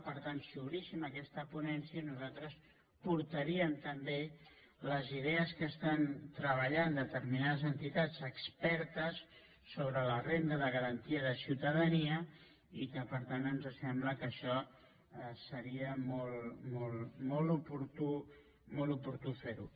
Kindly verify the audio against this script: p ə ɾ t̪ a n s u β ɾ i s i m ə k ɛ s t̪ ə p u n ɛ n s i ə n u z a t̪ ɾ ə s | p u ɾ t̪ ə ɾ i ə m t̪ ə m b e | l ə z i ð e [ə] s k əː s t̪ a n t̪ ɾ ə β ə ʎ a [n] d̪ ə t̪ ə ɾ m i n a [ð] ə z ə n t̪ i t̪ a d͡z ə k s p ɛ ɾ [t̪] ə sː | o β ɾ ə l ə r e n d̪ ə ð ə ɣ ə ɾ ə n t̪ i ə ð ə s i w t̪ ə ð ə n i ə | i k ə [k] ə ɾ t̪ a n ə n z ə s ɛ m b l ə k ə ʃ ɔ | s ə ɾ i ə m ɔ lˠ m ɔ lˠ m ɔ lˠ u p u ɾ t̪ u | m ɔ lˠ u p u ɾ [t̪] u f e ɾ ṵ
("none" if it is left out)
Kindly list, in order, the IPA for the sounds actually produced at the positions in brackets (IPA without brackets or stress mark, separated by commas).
ə, n, ð, t̪, p, t̪